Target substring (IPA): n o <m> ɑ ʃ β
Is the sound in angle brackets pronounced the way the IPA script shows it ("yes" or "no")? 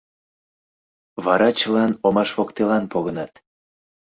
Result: yes